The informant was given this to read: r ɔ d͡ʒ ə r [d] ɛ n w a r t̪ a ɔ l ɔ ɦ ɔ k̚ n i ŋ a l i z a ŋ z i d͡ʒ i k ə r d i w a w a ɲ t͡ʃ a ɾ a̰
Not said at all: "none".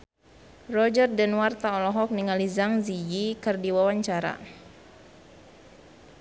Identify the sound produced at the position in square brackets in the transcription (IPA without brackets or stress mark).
d